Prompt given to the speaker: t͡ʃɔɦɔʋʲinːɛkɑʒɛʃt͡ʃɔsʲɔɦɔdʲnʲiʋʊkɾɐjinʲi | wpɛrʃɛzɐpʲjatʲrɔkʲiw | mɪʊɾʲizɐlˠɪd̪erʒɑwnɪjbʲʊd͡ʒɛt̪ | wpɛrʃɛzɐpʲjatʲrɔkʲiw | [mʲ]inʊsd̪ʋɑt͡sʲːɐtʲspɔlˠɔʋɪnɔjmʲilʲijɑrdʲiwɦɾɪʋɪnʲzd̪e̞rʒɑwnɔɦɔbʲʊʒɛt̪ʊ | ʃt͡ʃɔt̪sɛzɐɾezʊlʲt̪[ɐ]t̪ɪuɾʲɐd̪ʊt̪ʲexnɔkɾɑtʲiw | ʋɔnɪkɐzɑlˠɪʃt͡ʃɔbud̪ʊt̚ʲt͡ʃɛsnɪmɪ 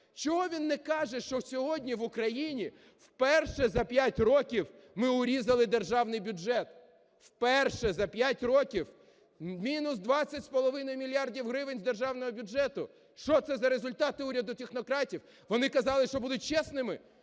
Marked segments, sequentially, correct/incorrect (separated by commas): correct, incorrect